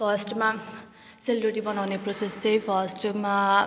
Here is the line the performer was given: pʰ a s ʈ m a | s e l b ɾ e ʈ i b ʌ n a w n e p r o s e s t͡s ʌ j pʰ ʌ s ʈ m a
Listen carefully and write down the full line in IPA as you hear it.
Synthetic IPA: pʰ ʌ s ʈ m a | s e l b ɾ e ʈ i b ʌ n a w n e p r o s e s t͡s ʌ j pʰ ʌ s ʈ m a